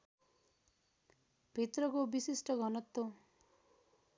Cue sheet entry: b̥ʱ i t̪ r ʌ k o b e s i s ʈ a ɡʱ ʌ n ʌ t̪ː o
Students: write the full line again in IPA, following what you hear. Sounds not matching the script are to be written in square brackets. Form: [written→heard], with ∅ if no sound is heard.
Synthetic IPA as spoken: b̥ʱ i t̪ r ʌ k o b [e→i] s i s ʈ [a→ʌ] ɡʱ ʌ n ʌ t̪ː o